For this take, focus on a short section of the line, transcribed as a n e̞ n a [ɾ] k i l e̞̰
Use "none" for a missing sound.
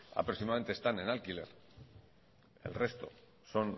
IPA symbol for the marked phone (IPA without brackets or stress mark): l